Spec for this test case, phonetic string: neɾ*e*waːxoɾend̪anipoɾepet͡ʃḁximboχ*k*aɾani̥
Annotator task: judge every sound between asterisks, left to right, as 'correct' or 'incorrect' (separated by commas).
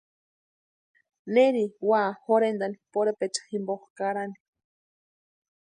incorrect, correct